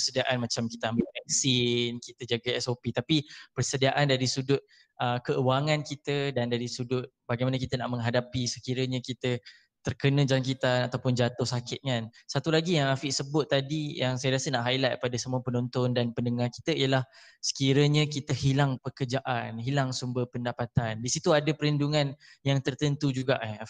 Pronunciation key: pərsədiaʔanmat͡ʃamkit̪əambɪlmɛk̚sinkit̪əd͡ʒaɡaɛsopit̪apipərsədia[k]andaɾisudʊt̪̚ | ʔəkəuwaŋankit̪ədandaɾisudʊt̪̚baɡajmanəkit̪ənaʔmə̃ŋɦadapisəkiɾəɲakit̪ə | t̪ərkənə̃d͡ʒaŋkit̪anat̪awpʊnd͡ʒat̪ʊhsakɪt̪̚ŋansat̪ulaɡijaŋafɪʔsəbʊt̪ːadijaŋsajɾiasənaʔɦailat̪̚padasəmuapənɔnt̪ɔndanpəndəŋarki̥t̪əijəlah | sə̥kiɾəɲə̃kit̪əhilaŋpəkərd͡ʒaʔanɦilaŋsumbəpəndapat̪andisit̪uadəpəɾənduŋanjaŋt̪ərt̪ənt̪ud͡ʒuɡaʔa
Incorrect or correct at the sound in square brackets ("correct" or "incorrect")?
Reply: incorrect